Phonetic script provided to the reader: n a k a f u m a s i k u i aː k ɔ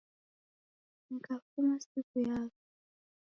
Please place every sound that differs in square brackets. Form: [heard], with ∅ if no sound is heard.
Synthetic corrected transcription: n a k a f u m a s i k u [j] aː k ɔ